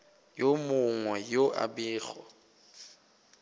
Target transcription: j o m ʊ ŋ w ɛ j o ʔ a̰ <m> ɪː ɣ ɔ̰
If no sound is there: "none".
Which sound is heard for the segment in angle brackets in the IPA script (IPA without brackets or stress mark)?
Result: b